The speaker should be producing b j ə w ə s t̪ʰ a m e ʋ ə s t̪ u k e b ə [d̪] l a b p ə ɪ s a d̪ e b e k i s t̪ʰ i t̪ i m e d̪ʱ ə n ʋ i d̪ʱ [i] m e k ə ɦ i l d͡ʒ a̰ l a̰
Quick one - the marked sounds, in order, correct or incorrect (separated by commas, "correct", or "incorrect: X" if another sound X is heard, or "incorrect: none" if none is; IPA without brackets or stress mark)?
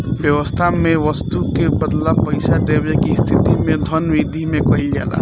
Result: correct, correct